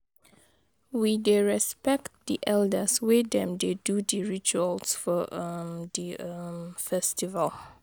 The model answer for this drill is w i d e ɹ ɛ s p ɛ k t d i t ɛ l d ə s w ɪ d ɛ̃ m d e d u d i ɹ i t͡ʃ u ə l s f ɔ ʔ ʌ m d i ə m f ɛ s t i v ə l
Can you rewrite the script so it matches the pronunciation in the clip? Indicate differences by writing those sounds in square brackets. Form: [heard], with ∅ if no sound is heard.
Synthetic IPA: w i d e ɹ ɛ s p ɛ k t d i [ʔ] ɛ l d ə s w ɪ d ɛ̃ m d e d u d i ɹ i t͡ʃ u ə l s f ɔ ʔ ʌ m d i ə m f ɛ s t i v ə l

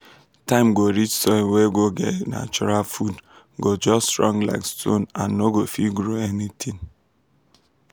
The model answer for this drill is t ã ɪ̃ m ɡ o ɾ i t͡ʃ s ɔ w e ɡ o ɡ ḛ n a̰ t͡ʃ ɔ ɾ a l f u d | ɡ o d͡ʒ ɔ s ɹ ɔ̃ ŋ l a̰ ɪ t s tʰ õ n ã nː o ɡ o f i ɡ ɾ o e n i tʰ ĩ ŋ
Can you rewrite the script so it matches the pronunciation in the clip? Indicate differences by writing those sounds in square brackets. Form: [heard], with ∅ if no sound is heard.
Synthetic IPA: t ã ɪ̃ m ɡ o ɾ i t͡ʃ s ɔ w e ɡ o ɡ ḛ n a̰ t͡ʃ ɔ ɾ a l f u d | ɡ o d͡ʒ ɔ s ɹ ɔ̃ ŋ l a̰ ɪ [k] s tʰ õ n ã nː o ɡ o f i ɡ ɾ o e n i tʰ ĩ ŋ

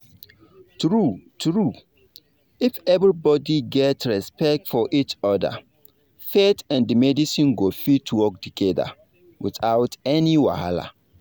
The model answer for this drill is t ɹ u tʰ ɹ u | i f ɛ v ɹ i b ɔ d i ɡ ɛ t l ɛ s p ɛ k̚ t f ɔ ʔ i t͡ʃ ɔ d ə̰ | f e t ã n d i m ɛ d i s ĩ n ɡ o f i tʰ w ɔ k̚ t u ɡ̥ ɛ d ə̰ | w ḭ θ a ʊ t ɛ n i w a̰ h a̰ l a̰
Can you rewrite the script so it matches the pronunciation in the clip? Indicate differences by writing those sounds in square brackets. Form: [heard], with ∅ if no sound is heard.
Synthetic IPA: t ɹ u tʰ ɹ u | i f ɛ v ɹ i b ɔ d i ɡ ɛ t [ɹ] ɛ s p ɛ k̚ t f ɔ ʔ i t͡ʃ ɔ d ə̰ | f e t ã n d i m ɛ d i s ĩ n ɡ o f i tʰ w ɔ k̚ t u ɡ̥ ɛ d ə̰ | w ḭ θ a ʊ t ɛ n i w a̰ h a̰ l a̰

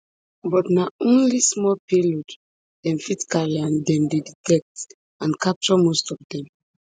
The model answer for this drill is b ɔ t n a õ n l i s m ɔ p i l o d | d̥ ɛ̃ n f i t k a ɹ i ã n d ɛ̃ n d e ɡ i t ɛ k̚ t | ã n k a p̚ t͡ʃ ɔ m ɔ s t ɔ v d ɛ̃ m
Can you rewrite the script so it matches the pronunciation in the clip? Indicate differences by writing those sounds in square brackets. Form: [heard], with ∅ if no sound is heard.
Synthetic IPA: b ɔ t n a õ n l i s m ɔ p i l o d | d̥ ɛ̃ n f i t k a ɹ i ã n d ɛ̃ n d e [d] i t ɛ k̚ t | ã n k a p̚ t͡ʃ ɔ m [o] s t ɔ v d ɛ̃ m

